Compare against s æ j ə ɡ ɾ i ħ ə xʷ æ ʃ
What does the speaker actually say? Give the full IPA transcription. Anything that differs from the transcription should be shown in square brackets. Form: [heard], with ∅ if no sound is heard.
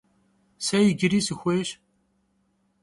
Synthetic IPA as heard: s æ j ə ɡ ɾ i [s] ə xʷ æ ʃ